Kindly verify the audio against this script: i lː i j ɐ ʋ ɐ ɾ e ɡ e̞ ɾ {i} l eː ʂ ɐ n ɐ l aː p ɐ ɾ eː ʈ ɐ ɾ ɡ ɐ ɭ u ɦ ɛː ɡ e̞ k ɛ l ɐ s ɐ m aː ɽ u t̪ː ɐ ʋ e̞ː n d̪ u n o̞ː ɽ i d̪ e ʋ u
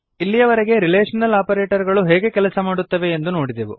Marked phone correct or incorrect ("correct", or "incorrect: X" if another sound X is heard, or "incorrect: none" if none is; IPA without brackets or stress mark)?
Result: correct